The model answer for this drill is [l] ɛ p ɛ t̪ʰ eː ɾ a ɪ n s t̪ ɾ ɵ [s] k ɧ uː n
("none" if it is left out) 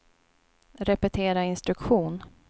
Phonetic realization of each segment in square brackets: ɾ, none

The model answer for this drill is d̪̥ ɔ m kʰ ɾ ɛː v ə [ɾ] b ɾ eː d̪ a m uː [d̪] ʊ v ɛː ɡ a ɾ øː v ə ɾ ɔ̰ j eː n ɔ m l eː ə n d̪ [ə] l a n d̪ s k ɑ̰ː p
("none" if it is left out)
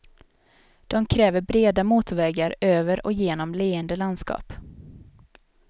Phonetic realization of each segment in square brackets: ɾ, t̪, ə

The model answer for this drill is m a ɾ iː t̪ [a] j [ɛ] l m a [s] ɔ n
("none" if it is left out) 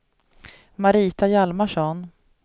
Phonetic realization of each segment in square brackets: a, a, ʂ

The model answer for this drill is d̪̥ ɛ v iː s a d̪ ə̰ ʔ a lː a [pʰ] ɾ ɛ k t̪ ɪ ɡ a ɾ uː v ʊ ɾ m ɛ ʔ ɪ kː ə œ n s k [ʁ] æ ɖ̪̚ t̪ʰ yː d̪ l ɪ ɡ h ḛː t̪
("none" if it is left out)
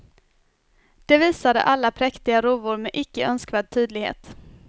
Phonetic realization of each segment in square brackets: pʰ, v

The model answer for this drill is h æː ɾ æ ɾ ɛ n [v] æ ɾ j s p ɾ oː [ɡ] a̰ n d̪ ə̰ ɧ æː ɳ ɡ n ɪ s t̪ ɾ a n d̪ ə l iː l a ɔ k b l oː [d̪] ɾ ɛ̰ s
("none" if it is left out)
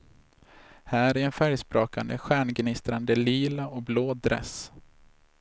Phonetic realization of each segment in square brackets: f, k, d̪

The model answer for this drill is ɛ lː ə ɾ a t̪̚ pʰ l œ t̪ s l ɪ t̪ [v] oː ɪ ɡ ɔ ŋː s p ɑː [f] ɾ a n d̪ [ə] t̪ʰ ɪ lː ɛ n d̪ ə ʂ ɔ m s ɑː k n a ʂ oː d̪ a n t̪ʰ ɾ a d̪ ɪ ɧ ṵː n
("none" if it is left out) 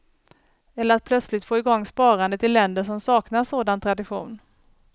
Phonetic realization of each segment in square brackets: f, none, ə

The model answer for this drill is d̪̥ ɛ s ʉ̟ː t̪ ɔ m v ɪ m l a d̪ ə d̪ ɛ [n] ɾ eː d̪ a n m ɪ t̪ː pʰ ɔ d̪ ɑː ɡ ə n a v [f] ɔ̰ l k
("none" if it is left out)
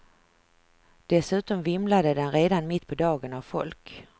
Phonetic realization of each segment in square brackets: n, f

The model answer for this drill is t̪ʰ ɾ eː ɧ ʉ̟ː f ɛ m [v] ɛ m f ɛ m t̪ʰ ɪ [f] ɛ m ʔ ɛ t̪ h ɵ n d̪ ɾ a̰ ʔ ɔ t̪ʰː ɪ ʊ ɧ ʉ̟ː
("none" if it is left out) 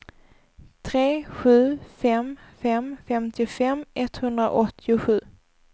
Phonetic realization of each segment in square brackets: f, f

